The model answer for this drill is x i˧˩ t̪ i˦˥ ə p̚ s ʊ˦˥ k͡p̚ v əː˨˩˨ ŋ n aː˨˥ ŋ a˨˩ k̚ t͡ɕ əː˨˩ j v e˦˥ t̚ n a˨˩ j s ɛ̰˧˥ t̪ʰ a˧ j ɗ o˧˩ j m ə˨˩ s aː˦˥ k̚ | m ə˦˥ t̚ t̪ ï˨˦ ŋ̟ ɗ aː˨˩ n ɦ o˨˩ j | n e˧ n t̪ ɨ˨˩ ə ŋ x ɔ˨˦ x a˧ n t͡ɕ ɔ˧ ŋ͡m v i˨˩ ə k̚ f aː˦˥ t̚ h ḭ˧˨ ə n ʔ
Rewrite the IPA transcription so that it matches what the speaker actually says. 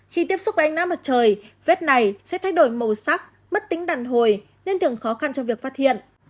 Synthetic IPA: x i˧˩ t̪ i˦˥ ə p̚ s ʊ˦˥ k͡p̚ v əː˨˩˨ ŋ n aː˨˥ m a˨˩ t̚ t͡ɕ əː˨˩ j v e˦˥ t̚ n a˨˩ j s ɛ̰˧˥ t̪ʰ a˧ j ɗ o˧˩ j m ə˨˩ s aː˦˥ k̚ | m ə˦˥ t̚ t̪ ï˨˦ ŋ̟ ɗ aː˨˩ n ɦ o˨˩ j | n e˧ n t̪ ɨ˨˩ ə ŋ x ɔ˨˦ x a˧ n t͡ɕ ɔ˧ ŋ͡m v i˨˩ ə k̚ f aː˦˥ t̚ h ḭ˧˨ ə n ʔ